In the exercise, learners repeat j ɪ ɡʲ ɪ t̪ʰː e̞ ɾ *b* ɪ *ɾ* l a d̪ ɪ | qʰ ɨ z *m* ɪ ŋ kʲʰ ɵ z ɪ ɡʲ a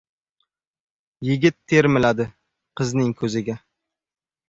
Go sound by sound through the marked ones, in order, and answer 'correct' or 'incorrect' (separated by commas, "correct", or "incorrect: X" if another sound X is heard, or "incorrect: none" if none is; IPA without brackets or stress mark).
incorrect: m, incorrect: none, incorrect: n